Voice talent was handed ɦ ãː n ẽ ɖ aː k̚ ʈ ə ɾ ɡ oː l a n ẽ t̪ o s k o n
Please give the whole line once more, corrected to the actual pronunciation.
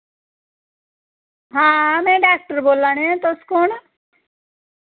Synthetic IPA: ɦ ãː m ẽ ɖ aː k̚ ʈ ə ɾ b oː l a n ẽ t̪ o s k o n